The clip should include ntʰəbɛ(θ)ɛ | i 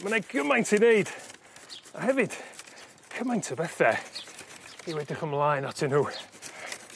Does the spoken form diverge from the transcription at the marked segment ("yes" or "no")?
no